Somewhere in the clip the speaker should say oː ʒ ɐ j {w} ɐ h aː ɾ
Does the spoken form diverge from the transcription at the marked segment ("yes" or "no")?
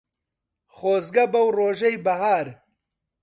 yes